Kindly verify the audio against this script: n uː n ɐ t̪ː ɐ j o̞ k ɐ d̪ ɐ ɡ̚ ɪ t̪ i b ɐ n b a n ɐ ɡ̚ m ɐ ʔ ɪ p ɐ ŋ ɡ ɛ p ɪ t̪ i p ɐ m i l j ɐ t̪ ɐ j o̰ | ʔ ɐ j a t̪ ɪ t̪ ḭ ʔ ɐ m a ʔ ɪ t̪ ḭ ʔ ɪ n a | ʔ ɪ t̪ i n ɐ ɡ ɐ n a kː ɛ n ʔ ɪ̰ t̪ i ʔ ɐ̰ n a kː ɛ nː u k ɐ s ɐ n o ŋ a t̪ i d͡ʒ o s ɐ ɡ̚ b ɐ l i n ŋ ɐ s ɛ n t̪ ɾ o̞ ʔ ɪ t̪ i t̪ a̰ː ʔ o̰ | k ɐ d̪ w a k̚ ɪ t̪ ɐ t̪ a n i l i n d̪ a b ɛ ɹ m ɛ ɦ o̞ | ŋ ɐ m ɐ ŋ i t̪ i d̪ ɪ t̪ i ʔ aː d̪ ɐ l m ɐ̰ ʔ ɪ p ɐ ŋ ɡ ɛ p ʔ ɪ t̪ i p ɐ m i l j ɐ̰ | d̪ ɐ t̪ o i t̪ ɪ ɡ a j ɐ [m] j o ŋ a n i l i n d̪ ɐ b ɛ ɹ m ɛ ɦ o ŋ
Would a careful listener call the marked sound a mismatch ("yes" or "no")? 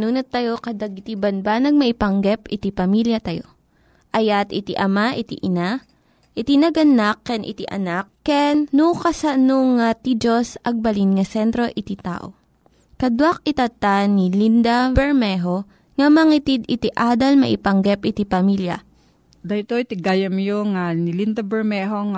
no